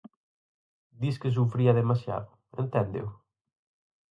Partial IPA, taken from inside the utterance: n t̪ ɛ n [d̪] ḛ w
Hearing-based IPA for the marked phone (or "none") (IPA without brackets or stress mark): d̪